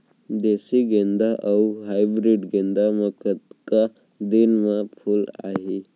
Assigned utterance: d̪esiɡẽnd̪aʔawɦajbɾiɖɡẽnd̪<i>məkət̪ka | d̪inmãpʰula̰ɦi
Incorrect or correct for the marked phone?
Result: incorrect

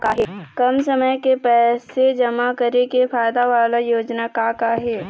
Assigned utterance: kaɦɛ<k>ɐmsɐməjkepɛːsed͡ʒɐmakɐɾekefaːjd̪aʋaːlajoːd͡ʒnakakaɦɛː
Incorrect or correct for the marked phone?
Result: correct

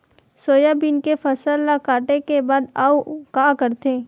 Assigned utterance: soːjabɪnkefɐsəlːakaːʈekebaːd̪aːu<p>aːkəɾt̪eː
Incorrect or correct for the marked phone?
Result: incorrect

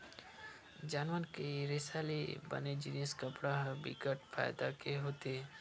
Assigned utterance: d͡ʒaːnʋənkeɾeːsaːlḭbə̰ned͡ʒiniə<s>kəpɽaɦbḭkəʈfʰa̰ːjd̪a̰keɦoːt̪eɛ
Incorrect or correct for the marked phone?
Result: correct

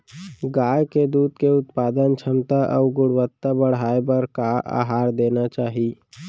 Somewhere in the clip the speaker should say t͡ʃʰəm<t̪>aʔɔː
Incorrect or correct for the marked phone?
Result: correct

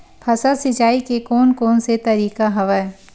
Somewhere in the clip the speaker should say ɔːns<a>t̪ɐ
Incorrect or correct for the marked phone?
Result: incorrect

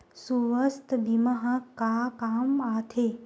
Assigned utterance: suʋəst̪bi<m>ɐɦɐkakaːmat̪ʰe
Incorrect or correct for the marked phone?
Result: correct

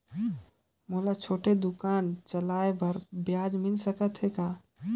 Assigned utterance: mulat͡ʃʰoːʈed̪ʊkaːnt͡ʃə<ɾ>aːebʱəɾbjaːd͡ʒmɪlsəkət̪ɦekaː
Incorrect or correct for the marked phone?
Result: incorrect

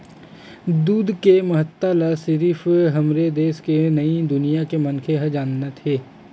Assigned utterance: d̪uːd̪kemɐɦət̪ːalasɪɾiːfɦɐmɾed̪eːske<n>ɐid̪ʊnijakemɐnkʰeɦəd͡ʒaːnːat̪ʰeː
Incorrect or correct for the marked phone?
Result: correct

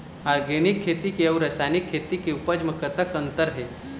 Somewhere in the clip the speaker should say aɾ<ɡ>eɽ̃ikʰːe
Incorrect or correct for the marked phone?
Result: correct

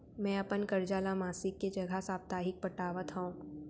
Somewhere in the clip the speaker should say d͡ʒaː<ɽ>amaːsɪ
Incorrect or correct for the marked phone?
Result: incorrect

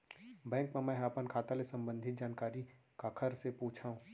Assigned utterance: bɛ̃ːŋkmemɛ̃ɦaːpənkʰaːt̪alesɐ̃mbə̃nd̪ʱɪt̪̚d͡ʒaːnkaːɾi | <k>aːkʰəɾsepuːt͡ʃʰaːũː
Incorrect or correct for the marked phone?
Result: correct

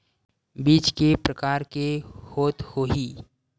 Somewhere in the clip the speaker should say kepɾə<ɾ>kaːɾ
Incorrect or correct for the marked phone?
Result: incorrect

